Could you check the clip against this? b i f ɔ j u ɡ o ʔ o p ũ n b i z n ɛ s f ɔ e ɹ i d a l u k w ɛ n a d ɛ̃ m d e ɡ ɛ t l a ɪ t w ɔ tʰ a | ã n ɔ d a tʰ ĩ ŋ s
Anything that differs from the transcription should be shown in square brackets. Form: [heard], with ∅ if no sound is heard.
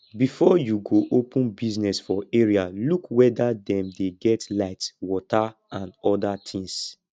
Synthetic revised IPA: b i f ɔ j u ɡ o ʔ o p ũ n b i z n ɛ s f ɔ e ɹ i [∅] a l u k w ɛ [d] a d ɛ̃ m d e ɡ ɛ t l a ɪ t w ɔ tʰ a | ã n ɔ d a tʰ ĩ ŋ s

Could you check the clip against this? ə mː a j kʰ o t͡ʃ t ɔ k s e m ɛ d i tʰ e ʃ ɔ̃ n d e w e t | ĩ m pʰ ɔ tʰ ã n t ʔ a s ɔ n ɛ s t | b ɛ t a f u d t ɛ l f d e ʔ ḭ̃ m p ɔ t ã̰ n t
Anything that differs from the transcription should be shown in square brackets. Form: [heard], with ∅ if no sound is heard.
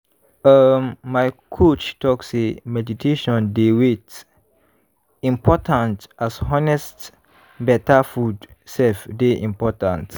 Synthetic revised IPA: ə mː a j kʰ o t͡ʃ t ɔ k s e m ɛ d i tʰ e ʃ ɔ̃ n d e w e t | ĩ m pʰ ɔ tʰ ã n t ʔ a s ɔ n ɛ s t | b ɛ t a f u d [s] ɛ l f d e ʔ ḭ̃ m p ɔ t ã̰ n t

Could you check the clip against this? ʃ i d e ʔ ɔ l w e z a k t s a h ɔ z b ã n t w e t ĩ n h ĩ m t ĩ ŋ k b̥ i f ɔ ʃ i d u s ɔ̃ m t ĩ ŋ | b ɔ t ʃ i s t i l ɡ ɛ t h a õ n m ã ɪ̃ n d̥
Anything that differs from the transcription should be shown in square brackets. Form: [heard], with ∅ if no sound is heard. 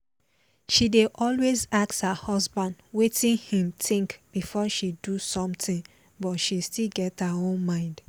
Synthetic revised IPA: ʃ i d e ʔ ɔ l w e z a k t [h] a h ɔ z b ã n [d] w e t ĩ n h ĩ m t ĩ ŋ k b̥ i f ɔ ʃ i d u s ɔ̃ m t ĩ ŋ | b ɔ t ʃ i s t i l ɡ ɛ t h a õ n m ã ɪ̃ n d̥

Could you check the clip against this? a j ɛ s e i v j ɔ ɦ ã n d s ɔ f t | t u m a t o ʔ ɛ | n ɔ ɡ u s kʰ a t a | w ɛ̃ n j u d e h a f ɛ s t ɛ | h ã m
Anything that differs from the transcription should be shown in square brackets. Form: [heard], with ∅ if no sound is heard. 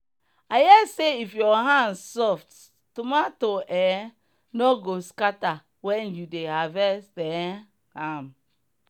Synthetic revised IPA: a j ɛ s e i [f] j ɔ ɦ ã n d s ɔ f t | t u m a t o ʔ ɛ | n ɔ ɡ [o] s [k] a t a | w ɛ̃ n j u d e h a [v] ɛ s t ɛ | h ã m

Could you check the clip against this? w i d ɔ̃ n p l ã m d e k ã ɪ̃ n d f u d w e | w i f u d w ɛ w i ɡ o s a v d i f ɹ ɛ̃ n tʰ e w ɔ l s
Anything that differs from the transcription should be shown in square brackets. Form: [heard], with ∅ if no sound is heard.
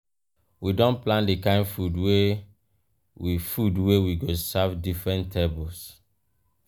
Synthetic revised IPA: w i d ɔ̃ n p l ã [n] d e k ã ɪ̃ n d f u d w e | w i f u d w [e] w i ɡ o s a v d i f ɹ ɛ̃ n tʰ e [b] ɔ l s

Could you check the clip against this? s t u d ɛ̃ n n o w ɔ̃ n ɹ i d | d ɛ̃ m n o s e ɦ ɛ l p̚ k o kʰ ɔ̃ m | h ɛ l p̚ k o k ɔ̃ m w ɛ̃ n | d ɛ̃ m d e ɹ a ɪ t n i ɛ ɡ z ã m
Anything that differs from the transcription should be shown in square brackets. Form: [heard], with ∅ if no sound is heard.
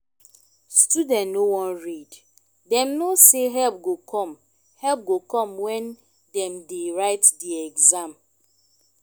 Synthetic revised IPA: s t u d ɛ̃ n n o w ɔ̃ n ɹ i d | d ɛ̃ m n o s e ɦ ɛ l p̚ [ɡ] o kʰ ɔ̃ m | h ɛ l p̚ [ɡ] o k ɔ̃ m w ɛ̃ n | d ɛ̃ m d e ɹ a ɪ t [d] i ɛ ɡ z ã m

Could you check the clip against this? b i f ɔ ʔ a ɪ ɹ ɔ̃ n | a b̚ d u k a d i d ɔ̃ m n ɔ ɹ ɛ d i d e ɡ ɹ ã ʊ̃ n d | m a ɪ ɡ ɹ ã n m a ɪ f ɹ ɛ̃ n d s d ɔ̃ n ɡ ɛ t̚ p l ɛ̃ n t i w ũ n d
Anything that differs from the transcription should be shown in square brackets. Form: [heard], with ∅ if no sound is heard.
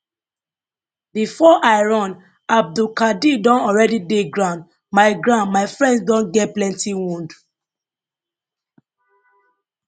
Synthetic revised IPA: b i f ɔ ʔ a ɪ ɹ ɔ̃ n | a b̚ d u k a d i d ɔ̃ [∅] n ɔ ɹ ɛ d i d e ɡ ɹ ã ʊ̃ n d | m a ɪ ɡ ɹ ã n m a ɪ f ɹ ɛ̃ n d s d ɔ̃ n ɡ ɛ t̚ p l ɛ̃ n t i w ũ n d

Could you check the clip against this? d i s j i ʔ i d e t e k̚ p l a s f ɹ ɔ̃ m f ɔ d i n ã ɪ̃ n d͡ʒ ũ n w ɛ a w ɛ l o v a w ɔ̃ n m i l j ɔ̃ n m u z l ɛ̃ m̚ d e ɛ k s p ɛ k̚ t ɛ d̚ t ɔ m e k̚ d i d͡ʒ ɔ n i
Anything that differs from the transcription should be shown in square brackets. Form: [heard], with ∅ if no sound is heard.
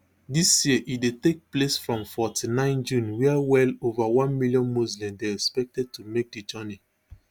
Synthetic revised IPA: d i s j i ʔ i d e t e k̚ p l [e] s f ɹ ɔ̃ m f ɔ [t] i n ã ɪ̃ n d͡ʒ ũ n w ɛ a w ɛ l o v a w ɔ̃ n m i l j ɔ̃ n m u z l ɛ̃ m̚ d e ɛ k s p ɛ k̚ t ɛ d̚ t [u] m e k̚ d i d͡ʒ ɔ n i

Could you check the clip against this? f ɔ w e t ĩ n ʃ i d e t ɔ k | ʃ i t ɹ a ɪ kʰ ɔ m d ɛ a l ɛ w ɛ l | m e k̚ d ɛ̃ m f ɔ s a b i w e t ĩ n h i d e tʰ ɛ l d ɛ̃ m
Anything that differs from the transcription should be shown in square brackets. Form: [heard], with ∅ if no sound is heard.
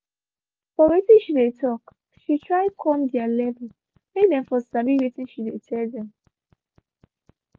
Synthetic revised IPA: f ɔ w e t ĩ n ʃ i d e t ɔ k | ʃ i t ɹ a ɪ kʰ ɔ m d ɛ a l ɛ [v] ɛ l | m e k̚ d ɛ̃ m f ɔ s a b i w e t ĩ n [ʃ] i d e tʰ ɛ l d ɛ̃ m

